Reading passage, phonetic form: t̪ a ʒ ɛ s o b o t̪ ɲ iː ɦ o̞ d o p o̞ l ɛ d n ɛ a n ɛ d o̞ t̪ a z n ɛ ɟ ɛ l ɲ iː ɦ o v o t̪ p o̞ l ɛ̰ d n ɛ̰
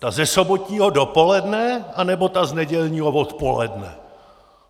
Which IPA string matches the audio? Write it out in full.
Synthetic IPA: t̪ a z ɛ s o b o t̪ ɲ iː ɦ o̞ d o p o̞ l ɛ d n ɛ a n ɛ b o̞ t̪ a z n ɛ ɟ ɛ l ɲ iː ɦ o v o t̪ p o̞ l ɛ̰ d n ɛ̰

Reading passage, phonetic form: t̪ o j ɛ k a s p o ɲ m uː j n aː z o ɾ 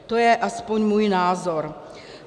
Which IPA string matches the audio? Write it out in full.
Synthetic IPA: t̪ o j ɛ ʔ a s p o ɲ m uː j n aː z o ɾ

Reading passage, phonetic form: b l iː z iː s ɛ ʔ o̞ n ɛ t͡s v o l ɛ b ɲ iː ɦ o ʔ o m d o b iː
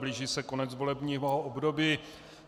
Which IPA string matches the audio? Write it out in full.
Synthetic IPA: b l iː ʒ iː s ɛ k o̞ n ɛ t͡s v o l ɛ b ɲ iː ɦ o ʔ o b d o b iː

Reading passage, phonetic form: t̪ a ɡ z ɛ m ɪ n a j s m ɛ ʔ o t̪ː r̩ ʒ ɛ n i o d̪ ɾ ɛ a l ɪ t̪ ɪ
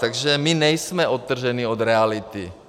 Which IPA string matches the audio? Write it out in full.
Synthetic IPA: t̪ a ɡ ʒ ɛ m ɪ n ɛ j s m ɛ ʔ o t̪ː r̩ ʒ ɛ n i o d̪ ɾ ɛ a l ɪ t̪ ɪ

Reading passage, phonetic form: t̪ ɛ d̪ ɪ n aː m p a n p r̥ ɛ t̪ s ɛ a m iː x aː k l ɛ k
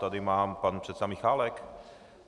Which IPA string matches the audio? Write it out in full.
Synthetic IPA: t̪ a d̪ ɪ m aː m p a n p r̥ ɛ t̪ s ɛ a m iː x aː l ɛ k

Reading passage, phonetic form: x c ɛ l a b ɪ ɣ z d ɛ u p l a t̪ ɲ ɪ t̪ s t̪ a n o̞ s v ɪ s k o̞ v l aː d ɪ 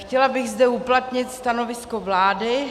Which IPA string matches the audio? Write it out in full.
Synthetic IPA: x c ɛ l a b ɪ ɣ z d ɛ u p l a t̪ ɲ ɪ t̪ s t̪ a n o̞ v ɪ s k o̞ v l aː d ɪ

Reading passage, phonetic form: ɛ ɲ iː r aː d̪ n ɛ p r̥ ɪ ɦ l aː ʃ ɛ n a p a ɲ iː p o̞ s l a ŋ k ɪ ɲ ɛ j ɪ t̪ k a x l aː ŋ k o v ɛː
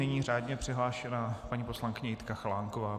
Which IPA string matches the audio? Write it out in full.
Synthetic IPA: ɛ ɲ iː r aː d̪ ɲ ɛ p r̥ ɪ ɦ l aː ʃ ɛ n a p a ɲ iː p o̞ s l a ŋ k ɪ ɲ ɛ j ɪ t̪ k a x l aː ŋ k o v aː

